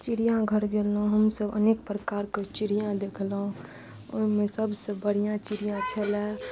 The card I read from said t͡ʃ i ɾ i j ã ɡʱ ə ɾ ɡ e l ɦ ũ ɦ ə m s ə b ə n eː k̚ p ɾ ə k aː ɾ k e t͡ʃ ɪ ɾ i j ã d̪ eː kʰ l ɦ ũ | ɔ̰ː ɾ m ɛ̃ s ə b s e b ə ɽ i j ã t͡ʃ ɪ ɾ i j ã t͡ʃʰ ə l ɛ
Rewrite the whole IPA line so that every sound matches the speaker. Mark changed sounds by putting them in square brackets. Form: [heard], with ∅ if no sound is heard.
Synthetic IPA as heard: t͡ʃ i ɾ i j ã ɡʱ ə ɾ ɡ e l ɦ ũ ɦ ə m s ə b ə n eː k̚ p ɾ ə k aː ɾ k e t͡ʃ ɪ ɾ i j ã d̪ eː kʰ l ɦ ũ | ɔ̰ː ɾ m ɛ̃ s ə b s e b ə ɽ i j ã t͡ʃ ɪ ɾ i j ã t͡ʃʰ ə l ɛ